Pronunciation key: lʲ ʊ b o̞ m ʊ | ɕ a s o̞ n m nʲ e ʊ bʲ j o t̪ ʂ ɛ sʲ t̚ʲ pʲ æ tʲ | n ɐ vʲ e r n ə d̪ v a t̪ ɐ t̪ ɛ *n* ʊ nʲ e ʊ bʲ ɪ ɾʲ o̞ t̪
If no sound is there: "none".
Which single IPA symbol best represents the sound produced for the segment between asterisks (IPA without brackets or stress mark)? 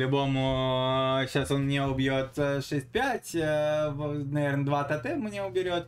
m